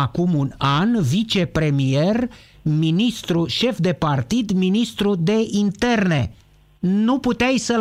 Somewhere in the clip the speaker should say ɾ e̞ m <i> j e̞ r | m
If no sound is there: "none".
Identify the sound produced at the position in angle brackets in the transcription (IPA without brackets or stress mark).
i